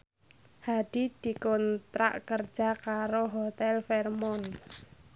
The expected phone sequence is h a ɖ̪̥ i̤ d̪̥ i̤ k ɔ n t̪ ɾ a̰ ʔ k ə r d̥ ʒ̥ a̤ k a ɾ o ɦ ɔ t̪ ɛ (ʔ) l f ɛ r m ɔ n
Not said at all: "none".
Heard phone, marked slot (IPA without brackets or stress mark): none